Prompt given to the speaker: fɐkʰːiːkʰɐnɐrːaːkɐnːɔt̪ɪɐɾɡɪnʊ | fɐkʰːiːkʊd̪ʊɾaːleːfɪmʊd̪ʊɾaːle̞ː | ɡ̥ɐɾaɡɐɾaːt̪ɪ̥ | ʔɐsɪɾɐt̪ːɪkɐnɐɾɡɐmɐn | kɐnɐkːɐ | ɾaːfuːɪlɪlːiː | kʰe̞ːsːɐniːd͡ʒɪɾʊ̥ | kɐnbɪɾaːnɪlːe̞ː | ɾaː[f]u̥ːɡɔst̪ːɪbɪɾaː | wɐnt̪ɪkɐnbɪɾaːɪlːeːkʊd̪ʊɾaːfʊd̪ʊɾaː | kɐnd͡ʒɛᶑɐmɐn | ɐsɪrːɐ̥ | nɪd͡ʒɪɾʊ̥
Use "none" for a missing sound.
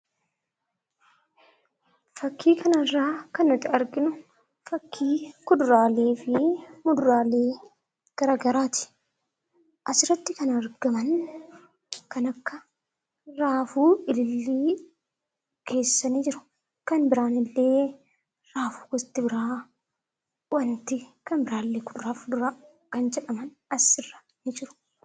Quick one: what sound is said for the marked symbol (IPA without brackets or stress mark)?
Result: f